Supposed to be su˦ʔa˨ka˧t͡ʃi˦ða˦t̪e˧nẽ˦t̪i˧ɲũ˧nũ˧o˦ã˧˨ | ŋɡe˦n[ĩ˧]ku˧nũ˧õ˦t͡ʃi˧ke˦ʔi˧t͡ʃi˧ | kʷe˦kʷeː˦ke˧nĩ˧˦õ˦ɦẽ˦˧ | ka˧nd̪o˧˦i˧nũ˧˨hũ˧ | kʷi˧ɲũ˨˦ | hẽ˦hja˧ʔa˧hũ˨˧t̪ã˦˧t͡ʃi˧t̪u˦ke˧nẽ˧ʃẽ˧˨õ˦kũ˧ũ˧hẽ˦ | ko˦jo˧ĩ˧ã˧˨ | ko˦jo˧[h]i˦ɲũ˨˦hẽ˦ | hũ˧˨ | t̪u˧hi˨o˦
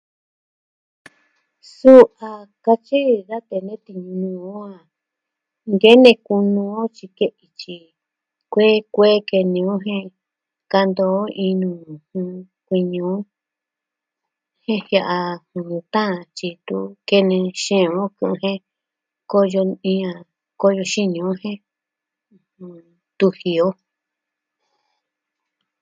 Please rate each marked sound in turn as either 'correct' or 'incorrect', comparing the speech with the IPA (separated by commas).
incorrect, incorrect